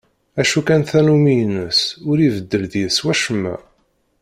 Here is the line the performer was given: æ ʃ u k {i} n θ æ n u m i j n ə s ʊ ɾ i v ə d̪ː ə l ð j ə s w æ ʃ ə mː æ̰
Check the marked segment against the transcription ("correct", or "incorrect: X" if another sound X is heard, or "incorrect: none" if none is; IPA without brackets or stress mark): incorrect: æ